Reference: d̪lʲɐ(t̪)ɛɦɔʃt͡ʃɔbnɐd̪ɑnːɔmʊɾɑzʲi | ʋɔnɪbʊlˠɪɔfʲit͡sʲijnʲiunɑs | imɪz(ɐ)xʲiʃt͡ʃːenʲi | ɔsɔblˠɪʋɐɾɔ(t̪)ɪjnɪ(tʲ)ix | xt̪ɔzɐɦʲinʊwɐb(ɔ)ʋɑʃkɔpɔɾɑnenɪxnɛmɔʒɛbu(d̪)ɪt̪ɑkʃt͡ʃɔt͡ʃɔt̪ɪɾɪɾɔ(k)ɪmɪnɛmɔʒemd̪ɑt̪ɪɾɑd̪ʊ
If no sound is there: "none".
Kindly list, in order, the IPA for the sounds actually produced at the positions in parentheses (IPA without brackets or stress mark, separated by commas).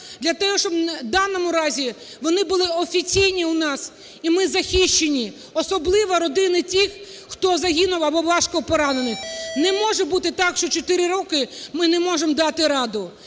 t̪, ɐ, d̪, tʲ, ɔ, t̪, k